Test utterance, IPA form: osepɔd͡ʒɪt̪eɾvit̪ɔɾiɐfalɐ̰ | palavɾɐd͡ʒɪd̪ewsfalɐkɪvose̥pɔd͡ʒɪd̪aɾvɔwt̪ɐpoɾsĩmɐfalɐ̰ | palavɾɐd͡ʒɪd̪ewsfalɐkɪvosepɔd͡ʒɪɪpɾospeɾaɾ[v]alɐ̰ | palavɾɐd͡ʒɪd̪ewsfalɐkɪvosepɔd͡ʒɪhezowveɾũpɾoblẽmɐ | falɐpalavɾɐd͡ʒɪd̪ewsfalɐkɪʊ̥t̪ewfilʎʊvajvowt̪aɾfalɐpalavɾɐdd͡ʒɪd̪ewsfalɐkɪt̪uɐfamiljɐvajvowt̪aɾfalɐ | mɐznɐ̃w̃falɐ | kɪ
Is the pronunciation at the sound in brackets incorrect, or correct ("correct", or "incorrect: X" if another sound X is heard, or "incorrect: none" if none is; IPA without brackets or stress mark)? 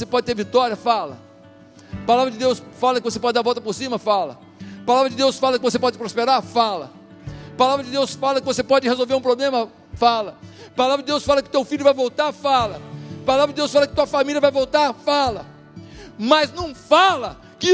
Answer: incorrect: f